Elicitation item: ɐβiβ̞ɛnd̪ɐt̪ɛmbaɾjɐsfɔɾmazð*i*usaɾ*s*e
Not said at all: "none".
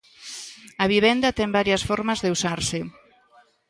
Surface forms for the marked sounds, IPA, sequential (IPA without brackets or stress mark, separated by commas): e, s